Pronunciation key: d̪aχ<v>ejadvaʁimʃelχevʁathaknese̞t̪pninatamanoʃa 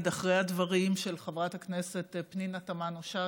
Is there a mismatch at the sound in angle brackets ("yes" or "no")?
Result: yes